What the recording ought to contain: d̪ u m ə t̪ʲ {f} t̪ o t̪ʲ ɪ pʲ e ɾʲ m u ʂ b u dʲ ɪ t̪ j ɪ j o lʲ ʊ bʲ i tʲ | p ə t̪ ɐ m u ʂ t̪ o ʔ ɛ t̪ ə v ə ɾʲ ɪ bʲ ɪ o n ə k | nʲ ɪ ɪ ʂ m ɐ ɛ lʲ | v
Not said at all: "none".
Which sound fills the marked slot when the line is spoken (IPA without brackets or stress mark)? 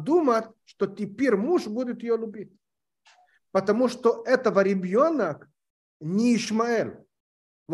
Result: ʂ